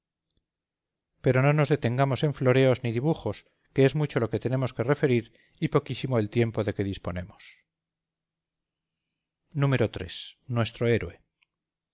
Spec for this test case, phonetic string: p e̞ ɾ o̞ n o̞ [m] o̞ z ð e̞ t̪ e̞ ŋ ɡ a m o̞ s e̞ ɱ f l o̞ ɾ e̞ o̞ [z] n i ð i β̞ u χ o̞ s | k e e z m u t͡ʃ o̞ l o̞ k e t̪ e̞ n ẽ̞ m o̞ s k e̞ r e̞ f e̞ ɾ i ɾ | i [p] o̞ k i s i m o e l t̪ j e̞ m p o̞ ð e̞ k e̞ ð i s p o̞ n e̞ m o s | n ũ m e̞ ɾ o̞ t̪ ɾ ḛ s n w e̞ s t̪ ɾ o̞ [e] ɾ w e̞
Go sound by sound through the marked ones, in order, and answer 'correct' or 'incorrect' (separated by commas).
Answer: incorrect, correct, correct, correct